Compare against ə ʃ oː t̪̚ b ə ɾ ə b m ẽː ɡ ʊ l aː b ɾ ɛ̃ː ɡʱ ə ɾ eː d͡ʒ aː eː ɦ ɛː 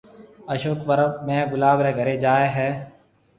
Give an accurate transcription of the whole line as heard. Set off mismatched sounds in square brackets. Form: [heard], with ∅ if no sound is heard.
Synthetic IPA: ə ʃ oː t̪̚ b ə ɾ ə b m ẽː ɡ ʊ l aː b ɾ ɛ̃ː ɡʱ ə ɾ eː d͡ʒ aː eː ɦ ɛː